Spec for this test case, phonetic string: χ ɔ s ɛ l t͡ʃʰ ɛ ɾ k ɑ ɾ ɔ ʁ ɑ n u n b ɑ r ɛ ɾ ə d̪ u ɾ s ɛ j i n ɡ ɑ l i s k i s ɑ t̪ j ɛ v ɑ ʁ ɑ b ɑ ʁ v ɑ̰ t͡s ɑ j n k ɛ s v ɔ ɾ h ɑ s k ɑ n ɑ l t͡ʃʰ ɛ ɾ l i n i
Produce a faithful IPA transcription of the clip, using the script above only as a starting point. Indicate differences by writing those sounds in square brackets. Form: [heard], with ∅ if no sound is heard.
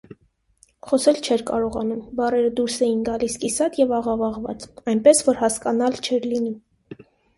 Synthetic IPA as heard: χ ɔ s ɛ l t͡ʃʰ ɛ ɾ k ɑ ɾ ɔ ʁ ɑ n u [m] b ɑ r ɛ ɾ ə d̪ u ɾ s ɛ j i n ɡ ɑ l i s k i s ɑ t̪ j ɛ v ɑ ʁ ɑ [v] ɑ ʁ v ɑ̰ t͡s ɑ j n [p] ɛ s v ɔ ɾ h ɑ s k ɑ n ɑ l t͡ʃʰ ɛ ɾ l i n i